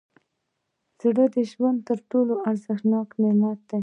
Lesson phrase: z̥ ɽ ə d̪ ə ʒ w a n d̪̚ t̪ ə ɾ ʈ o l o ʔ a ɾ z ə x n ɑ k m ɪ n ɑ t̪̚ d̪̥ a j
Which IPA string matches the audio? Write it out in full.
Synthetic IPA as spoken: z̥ ɽ ə d̪ ə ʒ w a n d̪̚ t̪ ə ɾ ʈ o l o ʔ a ɾ z ə x n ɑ k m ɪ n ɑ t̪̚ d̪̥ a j